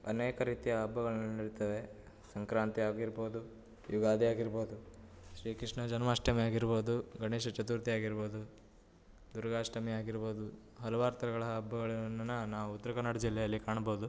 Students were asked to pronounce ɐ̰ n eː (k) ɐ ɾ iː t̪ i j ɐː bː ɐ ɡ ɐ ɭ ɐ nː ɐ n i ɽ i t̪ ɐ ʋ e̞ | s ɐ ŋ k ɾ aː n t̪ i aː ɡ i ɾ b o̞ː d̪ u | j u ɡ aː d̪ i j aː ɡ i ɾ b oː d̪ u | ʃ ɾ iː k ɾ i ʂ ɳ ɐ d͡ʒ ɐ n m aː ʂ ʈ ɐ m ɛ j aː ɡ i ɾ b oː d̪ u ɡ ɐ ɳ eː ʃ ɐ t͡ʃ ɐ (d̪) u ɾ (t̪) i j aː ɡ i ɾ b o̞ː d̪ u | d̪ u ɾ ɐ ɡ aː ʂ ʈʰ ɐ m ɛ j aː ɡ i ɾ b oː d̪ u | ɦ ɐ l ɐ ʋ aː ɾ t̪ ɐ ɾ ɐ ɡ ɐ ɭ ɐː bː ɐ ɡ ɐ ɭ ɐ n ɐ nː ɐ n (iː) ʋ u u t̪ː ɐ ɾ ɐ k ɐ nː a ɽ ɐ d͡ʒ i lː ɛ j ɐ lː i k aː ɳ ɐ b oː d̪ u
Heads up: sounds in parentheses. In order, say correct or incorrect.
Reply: correct, incorrect: t̪, correct, incorrect: aː

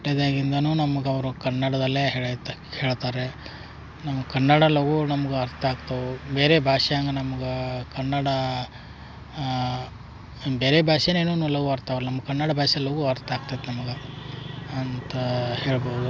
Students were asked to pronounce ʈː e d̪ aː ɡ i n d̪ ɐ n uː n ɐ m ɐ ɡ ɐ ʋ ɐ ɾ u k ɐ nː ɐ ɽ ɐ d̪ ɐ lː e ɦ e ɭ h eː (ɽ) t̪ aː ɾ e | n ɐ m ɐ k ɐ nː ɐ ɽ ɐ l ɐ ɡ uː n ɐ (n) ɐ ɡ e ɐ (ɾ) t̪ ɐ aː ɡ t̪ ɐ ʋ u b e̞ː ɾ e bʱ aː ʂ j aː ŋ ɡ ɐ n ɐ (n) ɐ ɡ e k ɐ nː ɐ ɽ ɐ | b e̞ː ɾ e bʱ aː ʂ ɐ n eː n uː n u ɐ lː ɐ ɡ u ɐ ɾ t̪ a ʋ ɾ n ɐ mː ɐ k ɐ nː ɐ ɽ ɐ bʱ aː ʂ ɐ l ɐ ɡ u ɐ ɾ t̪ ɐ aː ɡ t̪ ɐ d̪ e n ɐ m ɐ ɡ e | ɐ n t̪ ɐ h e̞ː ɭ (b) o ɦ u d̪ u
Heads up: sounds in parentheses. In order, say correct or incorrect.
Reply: incorrect: ɭ, incorrect: m, correct, incorrect: m, correct

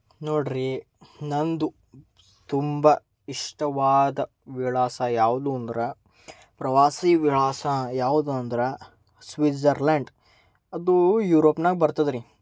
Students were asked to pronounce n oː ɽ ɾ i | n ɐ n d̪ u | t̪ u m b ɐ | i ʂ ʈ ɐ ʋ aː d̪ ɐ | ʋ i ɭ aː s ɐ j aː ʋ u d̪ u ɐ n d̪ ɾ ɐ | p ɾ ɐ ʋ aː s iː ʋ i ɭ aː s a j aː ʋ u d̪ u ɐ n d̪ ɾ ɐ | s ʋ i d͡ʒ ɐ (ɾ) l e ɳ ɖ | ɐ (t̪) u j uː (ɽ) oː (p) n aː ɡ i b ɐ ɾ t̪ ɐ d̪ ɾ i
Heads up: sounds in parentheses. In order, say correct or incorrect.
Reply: correct, incorrect: d̪, incorrect: ɾ, correct

